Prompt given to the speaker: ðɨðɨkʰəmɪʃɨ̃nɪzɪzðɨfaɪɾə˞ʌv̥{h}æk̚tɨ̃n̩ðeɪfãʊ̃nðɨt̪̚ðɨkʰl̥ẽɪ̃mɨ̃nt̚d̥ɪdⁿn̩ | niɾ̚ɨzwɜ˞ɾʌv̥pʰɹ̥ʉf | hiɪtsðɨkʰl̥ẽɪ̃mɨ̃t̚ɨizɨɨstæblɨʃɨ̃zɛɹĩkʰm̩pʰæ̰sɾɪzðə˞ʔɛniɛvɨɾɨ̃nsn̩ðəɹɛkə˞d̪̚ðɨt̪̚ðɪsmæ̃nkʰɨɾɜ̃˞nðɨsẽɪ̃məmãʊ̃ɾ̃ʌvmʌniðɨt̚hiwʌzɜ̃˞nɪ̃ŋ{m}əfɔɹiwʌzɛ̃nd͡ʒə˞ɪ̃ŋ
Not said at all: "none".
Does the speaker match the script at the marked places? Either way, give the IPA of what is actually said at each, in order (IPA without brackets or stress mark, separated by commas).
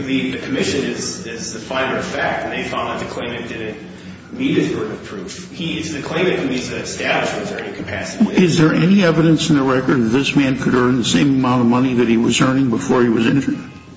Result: f, b